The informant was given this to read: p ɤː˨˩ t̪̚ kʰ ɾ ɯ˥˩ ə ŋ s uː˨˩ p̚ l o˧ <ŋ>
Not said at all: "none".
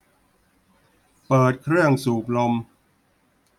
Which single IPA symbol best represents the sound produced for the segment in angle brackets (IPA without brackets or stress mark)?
m